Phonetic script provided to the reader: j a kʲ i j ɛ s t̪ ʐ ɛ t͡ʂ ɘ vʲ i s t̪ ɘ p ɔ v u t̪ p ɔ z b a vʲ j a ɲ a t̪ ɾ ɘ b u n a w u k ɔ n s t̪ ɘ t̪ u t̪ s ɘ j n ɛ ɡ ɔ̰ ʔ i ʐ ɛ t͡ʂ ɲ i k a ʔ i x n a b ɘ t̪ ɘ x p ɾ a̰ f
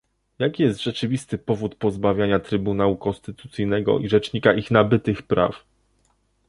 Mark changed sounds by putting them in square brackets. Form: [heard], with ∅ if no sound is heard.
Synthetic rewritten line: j a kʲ i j ɛ s t̪ ʐ ɛ t͡ʂ ɘ vʲ i s t̪ ɘ p ɔ v u t̪ p ɔ z b a vʲ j a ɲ a t̪ ɾ ɘ b u n a w u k ɔ n s t̪ ɘ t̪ u t̪ s ɘ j n ɛ ɡ ɔ̰ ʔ i ʐ ɛ t͡ʂ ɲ i k a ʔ i x n a b ɘ t̪ ɘ x p ɾ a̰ f